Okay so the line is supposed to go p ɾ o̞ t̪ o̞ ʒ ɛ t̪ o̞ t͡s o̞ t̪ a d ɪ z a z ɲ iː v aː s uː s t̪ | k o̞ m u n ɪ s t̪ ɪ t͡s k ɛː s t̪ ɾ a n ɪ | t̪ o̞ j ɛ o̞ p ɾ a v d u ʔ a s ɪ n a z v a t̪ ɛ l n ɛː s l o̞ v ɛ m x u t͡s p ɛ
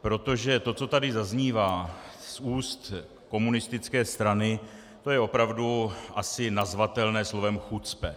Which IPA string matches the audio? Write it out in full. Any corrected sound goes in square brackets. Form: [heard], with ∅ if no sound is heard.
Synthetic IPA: p ɾ o̞ t̪ o̞ ʒ ɛ t̪ o̞ t͡s o̞ t̪ a d ɪ z a z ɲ iː v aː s uː s t̪ | k o̞ m u n ɪ s t̪ ɪ t͡s k ɛː s t̪ ɾ a n ɪ | t̪ o̞ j ɛ o̞ p ɾ a v d u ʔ a s ɪ n a z v a t̪ ɛ l n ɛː s l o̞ v ɛ m x u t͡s p ɛ